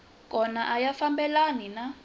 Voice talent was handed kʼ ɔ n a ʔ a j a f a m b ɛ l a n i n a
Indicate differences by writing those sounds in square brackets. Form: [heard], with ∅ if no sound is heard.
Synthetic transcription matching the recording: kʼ ɔ n a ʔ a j a f a m b ɛ l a n i n a